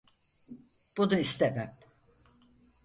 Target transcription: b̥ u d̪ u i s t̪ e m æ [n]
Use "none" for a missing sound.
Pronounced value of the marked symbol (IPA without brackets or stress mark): m